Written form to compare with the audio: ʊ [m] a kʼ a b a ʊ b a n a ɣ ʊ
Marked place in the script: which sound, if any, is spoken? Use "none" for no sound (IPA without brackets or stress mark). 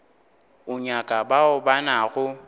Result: ɲ